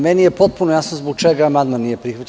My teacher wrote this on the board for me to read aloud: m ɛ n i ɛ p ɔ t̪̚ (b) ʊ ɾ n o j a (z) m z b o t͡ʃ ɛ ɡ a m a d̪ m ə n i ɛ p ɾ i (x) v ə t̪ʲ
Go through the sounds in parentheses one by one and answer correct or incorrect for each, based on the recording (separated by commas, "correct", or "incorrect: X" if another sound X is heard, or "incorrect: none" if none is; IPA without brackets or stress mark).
incorrect: p, incorrect: s, correct